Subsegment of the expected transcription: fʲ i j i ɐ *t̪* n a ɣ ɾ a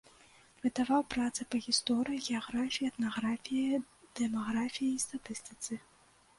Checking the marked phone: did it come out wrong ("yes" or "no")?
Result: no